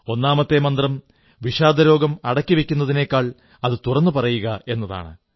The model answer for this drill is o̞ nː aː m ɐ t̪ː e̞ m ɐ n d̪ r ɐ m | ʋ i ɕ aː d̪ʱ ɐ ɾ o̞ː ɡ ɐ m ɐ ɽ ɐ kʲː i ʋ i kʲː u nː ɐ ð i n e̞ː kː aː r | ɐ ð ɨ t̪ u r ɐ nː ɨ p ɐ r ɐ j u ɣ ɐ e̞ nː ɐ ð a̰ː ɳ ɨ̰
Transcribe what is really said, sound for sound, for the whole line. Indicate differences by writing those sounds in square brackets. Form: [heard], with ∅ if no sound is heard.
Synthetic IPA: o̞ nː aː m ɐ t̪ː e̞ m ɐ n d̪ r ɐ m | ʋ i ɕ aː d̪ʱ ɐ ɾ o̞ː ɡ ɐ m ɐ ɽ ɐ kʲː i ʋ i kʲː u nː ɐ ð i n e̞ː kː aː [ɭ] | ɐ ð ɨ t̪ u r ɐ nː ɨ p ɐ r ɐ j u ɣ ɐ e̞ nː ɐ ð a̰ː ɳ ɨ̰